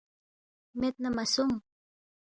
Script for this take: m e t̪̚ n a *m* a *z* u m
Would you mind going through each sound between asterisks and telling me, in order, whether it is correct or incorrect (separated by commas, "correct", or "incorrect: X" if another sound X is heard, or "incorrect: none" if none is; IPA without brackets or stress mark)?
correct, incorrect: s